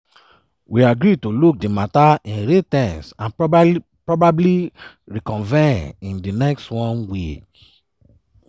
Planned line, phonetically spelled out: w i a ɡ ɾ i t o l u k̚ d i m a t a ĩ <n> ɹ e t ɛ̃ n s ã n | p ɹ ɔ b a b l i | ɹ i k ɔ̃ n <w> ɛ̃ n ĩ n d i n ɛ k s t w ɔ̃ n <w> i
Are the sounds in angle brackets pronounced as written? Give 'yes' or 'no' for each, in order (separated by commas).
yes, no, yes